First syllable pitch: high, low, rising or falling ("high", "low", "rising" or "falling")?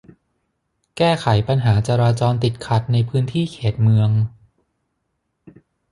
falling